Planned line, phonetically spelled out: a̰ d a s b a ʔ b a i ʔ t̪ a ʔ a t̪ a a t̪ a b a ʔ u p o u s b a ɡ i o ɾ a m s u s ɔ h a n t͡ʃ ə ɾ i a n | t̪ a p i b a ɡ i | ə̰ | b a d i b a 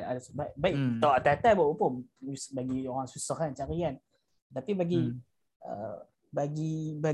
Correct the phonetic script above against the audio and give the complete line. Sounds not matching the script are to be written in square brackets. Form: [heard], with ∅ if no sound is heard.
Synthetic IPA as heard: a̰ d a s b a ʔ b a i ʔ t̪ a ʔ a t̪ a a t̪ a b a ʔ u p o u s b a ɡ i o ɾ a [ŋ] s u s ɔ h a n t͡ʃ [a] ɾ i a n | t̪ a p i b a ɡ i | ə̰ | b a [ɡ] i b a